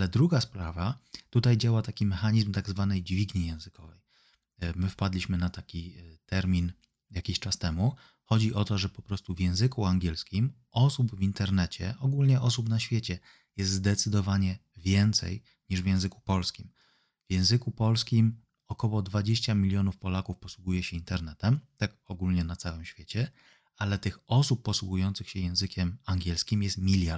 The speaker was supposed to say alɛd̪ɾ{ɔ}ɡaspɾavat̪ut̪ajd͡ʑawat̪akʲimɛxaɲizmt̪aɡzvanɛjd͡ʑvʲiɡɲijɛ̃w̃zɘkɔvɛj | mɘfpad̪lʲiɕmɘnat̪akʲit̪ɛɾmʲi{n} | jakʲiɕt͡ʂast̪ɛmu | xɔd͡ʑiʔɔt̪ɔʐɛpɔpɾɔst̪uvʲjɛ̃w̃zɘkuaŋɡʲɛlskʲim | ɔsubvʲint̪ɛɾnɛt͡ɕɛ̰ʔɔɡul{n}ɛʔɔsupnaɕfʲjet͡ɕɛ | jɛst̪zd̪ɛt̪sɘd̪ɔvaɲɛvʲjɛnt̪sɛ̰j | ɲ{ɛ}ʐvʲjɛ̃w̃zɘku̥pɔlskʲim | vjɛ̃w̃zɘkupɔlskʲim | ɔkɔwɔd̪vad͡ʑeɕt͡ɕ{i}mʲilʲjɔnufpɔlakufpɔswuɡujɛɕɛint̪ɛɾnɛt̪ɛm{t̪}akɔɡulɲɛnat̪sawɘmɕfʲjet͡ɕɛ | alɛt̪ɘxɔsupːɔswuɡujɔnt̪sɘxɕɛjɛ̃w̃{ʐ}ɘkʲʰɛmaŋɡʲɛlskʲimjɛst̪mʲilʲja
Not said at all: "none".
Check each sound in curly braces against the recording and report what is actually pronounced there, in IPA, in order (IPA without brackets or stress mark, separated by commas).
u, n, ɲ, i, a, t̪, z